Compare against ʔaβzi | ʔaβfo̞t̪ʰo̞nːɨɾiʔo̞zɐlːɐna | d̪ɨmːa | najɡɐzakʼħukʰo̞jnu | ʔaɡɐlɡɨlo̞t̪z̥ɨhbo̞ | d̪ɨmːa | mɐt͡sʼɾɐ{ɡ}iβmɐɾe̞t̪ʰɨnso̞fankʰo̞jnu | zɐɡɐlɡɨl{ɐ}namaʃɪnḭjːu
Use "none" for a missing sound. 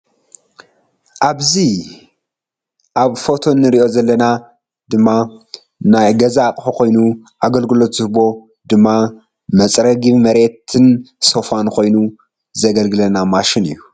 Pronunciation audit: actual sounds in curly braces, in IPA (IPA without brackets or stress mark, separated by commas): ɡ, ɐ